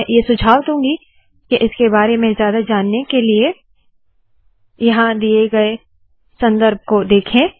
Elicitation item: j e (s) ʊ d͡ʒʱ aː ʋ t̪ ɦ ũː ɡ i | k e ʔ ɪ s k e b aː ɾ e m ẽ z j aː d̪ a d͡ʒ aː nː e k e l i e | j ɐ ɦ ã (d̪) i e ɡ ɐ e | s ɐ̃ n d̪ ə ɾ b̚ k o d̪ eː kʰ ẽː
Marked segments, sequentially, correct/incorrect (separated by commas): correct, correct